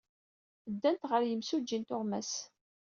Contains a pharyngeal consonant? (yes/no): no